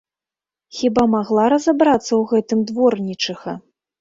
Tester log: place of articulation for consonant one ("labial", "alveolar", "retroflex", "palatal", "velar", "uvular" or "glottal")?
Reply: velar